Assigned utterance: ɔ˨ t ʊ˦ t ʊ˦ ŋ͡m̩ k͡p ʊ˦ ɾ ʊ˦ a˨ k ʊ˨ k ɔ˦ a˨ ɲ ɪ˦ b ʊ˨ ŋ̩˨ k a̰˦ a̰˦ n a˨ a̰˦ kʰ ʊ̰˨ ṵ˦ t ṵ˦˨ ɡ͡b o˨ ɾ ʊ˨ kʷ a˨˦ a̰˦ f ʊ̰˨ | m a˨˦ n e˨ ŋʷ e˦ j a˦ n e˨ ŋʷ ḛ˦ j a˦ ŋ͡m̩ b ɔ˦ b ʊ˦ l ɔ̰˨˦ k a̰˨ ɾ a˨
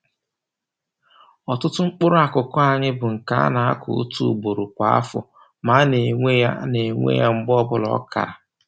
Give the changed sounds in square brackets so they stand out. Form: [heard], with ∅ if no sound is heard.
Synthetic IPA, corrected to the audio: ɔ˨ t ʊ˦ t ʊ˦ ŋ͡m̩ k͡p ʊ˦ ɾ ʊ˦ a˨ k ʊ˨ k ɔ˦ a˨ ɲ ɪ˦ b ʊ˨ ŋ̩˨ k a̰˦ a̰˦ n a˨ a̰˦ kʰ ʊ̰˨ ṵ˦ t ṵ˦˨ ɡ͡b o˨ ɾ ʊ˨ kʷ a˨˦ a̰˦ f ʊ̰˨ | m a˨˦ n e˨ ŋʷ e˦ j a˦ n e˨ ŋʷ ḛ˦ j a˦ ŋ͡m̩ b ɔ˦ b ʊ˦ l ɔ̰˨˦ k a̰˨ ɾ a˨